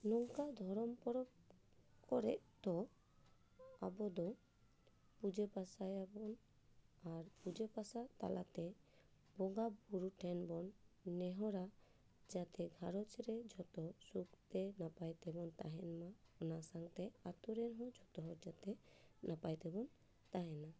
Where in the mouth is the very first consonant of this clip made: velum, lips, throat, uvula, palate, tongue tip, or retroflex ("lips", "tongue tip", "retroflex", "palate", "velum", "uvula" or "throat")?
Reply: tongue tip